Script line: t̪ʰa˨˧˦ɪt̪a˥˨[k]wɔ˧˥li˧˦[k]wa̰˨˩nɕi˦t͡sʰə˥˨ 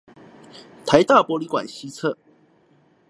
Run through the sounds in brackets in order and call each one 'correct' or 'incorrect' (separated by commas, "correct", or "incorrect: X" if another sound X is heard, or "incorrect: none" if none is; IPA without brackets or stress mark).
incorrect: p, correct